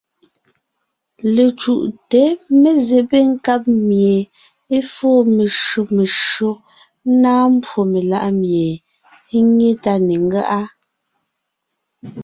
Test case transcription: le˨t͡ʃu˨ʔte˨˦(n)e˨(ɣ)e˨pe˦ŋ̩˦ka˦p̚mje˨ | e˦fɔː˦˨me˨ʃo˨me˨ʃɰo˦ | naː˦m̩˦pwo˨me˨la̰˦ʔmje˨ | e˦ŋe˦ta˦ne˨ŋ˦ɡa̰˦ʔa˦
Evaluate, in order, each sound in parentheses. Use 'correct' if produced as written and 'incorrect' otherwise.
incorrect, incorrect

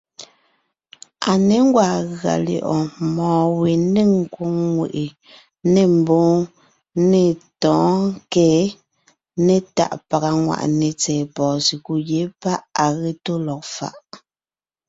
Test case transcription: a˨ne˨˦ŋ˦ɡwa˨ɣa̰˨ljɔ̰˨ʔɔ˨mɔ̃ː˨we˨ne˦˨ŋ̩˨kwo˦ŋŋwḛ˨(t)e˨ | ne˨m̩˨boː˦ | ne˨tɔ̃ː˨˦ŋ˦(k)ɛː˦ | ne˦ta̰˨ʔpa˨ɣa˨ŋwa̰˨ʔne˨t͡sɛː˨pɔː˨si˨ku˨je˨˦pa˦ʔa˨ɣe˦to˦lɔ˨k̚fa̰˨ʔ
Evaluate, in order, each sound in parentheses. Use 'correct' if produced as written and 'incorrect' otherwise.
incorrect, correct

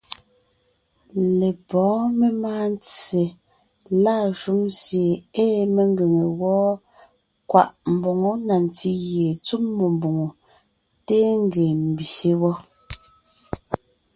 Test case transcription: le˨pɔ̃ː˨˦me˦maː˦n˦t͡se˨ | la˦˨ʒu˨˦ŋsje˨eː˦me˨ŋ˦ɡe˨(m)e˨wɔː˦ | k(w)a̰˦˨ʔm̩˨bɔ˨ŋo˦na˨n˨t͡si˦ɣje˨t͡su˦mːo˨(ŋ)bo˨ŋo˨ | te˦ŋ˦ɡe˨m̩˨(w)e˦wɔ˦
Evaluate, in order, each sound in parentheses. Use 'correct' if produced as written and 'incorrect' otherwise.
incorrect, correct, incorrect, incorrect

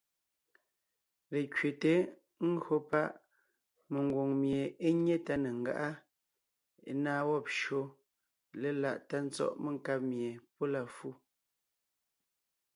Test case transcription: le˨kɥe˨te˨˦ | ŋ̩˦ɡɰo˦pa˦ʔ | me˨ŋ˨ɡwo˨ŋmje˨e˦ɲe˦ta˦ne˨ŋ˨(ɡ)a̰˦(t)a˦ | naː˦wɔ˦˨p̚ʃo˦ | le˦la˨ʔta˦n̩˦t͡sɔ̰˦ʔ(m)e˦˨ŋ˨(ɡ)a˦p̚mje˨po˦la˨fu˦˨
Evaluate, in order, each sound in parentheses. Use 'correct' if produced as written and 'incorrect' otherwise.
correct, incorrect, correct, incorrect

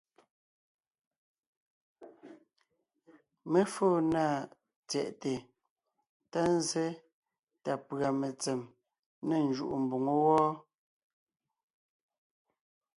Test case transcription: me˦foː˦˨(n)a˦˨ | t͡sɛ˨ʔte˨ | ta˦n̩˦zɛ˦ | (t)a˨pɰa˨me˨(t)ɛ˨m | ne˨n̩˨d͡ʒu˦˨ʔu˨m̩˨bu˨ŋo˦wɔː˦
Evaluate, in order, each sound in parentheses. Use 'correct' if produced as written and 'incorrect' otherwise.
correct, correct, incorrect

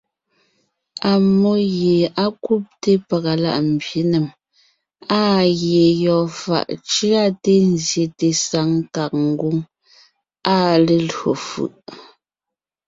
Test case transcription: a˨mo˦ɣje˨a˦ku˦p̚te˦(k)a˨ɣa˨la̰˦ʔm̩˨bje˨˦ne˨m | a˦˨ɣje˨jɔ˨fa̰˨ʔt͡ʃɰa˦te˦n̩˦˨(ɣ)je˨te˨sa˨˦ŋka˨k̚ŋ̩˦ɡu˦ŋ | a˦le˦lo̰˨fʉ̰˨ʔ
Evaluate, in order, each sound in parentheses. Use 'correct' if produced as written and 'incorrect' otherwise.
incorrect, incorrect

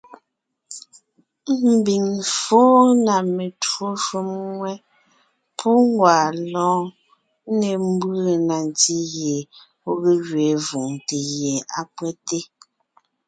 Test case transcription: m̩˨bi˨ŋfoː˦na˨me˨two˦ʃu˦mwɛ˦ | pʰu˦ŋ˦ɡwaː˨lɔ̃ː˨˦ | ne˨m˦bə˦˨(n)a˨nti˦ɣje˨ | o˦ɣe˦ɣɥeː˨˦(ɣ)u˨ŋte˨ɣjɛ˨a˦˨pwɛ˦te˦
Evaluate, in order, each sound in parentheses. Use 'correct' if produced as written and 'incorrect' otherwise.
correct, incorrect

